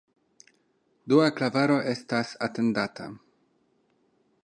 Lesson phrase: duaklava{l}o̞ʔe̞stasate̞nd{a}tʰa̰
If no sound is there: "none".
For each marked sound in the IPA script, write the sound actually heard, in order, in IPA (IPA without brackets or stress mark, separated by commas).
ɾ, a